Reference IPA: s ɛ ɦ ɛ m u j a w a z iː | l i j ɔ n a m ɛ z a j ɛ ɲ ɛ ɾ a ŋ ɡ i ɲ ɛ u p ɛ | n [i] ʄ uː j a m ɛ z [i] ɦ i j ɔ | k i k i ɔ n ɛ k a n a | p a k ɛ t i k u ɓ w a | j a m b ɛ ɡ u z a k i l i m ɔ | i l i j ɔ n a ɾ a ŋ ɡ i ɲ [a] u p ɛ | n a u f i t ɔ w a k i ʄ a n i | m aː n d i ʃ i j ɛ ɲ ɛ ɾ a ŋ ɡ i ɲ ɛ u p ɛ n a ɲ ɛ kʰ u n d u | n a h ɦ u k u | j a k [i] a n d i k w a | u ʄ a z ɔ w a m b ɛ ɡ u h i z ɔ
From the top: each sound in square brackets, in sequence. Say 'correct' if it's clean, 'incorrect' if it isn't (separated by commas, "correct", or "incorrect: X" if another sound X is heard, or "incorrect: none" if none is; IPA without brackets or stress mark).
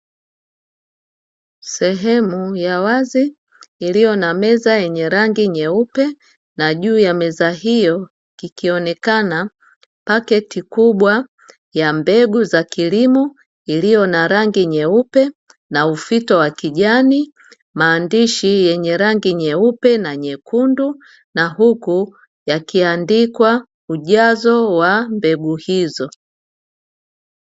incorrect: a, incorrect: a, incorrect: ɛ, correct